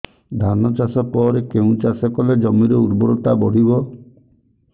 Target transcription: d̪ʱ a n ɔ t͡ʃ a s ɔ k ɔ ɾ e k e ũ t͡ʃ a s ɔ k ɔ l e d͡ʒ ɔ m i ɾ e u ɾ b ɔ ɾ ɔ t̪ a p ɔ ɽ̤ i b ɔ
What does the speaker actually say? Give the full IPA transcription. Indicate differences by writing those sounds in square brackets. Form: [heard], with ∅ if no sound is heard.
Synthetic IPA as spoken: d̪ʱ a n ɔ t͡ʃ a s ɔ [p] ɔ ɾ e k e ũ t͡ʃ a s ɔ k ɔ l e d͡ʒ ɔ m i ɾ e u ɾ b ɔ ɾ ɔ t̪ a [b] ɔ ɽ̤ i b ɔ